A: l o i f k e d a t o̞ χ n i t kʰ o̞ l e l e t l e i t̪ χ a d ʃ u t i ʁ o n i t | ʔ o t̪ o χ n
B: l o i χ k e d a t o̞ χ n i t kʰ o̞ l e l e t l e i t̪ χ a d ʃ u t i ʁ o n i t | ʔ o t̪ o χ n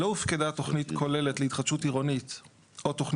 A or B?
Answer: A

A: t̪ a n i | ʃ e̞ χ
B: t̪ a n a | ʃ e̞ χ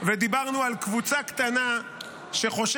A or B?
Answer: B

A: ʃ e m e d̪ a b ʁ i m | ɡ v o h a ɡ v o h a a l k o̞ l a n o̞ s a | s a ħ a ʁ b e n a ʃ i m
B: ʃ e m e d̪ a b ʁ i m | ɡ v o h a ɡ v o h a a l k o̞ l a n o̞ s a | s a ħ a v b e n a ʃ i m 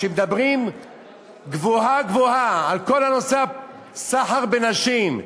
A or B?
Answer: A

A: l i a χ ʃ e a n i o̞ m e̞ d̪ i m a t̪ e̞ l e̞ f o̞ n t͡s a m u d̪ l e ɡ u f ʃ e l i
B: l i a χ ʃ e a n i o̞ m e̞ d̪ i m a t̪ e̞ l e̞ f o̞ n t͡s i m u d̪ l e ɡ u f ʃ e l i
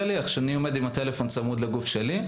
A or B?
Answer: A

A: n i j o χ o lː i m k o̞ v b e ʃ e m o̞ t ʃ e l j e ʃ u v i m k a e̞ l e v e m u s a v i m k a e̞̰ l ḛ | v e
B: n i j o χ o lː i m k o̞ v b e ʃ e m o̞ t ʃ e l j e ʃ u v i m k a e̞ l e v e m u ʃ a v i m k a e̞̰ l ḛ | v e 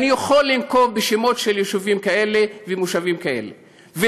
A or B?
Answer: B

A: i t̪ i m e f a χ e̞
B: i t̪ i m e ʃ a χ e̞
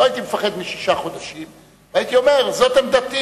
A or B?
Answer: A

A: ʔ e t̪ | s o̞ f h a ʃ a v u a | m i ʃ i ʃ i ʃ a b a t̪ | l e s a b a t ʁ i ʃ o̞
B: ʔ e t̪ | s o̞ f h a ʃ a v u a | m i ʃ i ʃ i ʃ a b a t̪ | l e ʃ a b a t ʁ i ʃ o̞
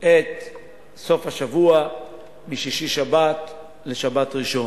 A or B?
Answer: B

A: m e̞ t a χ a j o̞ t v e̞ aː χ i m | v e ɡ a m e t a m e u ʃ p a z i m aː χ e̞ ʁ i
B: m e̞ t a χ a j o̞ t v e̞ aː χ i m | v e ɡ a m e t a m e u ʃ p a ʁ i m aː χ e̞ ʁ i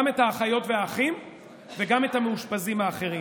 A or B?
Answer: A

